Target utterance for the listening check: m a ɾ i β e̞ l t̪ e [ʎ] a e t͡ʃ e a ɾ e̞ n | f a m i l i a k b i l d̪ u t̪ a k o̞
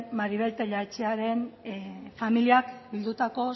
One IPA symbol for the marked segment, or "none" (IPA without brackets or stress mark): ʎ